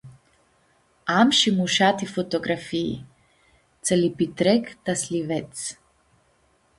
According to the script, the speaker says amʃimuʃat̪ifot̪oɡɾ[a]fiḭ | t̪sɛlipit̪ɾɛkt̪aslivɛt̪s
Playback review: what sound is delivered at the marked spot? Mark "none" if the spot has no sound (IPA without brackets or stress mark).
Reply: a